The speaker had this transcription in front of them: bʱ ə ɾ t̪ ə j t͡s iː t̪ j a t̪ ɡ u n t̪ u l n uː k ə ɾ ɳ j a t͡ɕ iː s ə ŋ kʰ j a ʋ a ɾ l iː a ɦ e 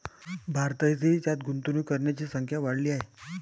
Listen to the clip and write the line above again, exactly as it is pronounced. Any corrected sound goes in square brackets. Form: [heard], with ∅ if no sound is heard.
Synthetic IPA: bʱ [a] ɾ t̪ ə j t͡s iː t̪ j a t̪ ɡ u n t̪ u [∅] n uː k ə ɾ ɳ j a t͡ɕ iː s ə ŋ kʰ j a ʋ a [ɽ] l iː a ɦ e